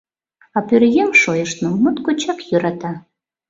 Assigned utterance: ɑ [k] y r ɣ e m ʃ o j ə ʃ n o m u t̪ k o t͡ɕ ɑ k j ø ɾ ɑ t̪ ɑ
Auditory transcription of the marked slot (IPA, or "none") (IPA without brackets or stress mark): p